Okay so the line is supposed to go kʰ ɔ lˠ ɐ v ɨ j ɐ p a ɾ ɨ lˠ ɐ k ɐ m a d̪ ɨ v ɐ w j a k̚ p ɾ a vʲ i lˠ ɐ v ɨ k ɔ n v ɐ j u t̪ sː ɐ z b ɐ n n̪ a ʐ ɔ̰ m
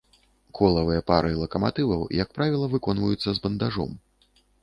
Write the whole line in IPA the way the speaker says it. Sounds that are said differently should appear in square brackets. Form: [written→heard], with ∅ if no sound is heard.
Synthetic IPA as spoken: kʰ ɔ lˠ ɐ v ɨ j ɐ p a ɾ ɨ lˠ ɐ k ɐ m a [d̪→t̪] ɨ v ɐ w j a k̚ p ɾ a vʲ i lˠ ɐ v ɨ k ɔ n v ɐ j u t̪ sː ɐ z b ɐ n [n̪→d̪] a ʐ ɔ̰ m

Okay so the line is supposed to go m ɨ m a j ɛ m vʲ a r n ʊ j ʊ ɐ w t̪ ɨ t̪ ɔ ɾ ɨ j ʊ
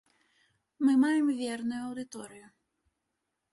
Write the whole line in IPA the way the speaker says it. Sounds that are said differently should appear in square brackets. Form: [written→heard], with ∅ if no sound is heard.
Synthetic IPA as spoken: m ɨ m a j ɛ m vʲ [a→ɛ] r n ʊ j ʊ ɐ w [t̪→d̪] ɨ t̪ ɔ ɾ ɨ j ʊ

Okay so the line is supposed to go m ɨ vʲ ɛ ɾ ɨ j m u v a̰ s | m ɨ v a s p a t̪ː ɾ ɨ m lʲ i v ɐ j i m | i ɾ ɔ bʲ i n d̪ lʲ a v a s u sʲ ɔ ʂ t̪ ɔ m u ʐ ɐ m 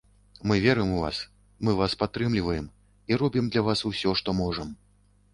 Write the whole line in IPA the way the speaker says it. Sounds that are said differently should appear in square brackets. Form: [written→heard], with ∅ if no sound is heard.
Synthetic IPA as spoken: m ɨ vʲ ɛ ɾ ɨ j m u v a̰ s | m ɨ v a s p a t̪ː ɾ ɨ m lʲ i v ɐ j [i→ɛ] m | i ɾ ɔ bʲ i [n→m] d̪ lʲ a v a s u sʲ ɔ ʂ t̪ ɔ m [u→ɔ] ʐ ɐ m

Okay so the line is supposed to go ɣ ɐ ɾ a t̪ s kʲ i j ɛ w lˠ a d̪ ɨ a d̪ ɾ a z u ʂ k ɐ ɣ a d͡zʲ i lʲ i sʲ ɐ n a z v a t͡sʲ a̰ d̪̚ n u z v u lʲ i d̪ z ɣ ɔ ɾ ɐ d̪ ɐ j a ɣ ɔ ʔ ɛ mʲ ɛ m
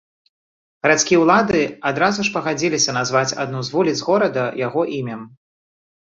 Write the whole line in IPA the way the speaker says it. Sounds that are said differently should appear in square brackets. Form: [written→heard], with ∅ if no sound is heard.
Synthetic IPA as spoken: ɣ ɐ ɾ a t̪ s kʲ i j ɛ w lˠ a d̪ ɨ a d̪ ɾ a z u ʂ [k→p] ɐ ɣ a d͡zʲ i lʲ i sʲ ɐ n a z v a t͡sʲ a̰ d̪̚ n u z v u lʲ i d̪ z ɣ ɔ ɾ ɐ d̪ ɐ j a ɣ ɔ ʔ [ɛ→i] mʲ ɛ m

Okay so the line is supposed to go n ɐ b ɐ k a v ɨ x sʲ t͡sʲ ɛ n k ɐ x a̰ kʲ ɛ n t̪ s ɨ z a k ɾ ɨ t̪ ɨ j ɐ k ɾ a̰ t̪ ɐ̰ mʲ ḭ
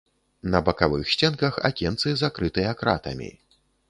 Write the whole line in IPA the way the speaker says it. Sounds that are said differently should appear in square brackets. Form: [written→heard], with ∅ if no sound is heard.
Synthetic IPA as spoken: n ɐ b ɐ k a v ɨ x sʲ t͡sʲ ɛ n k ɐ x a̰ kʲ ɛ n t̪ s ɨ z a k ɾ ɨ t̪ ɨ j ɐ k ɾ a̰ t̪ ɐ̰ mʲ ḭ

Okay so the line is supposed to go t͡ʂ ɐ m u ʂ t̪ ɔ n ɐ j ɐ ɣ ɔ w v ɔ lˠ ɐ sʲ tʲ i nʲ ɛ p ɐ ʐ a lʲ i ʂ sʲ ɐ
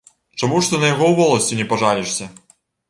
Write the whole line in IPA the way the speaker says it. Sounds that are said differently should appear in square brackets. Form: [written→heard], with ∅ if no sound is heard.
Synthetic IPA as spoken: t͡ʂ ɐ m u ʂ t̪ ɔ n ɐ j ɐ ɣ ɔ w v ɔ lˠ ɐ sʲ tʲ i nʲ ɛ p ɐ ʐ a lʲ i ʂ sʲ ɐ

